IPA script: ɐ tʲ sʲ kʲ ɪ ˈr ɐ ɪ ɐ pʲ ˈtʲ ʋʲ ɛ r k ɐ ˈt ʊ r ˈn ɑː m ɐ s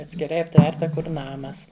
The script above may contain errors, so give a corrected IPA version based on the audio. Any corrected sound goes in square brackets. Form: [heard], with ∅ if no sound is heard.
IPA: ɐ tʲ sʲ kʲ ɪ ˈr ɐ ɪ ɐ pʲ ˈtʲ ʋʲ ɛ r [t] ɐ [ˈk] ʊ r ˈn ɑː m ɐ s